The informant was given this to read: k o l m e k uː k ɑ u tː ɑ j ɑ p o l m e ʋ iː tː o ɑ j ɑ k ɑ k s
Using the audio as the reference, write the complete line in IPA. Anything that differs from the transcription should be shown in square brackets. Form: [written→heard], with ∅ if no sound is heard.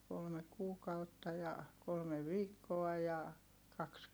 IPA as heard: k o l m e k uː k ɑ u tː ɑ j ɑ [p→k] o l m e ʋ iː [tː→kː] o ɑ j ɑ k ɑ k s